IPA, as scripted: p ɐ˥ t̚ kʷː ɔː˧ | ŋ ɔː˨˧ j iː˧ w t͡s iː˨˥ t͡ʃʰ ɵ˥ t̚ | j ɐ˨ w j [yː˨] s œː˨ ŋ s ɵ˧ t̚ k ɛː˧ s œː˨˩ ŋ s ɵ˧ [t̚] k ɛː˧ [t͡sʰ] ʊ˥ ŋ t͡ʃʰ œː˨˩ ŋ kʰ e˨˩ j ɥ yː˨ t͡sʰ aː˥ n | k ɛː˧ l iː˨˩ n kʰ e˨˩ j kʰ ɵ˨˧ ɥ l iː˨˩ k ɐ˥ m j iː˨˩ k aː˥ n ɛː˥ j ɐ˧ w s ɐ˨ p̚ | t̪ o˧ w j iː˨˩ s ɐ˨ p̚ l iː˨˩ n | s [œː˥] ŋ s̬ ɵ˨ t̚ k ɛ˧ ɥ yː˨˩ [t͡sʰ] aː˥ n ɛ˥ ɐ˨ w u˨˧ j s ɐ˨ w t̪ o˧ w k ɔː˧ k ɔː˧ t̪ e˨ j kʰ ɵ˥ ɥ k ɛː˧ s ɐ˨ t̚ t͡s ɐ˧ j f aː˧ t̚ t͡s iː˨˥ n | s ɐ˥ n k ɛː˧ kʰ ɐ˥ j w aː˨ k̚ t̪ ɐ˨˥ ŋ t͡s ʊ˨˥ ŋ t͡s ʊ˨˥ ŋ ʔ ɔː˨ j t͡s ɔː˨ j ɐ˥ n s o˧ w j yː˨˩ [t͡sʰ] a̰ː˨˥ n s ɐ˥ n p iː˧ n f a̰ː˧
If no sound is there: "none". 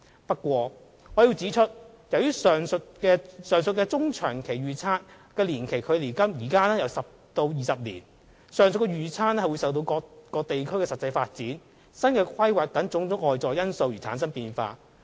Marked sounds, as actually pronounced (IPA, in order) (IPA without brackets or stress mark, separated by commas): yː˥, t̚, t͡s, œː˨˩, t͡sʰ, t͡sʰ